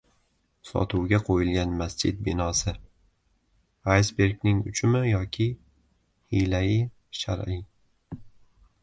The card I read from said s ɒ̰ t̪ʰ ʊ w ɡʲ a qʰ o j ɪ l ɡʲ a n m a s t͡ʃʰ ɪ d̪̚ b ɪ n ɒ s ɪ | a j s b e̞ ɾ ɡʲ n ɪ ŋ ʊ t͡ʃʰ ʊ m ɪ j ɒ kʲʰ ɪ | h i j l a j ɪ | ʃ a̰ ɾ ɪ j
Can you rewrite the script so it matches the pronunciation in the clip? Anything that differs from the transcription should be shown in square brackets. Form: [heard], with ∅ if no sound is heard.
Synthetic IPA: s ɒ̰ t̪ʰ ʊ w ɡʲ a qʰ o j ɪ l ɡʲ a n m a s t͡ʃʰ ɪ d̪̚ b ɪ n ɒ s ɪ | a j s b e̞ ɾ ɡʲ n ɪ ŋ ʊ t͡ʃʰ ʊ m ɪ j ɒ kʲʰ ɪ | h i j l a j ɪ | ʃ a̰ ɾ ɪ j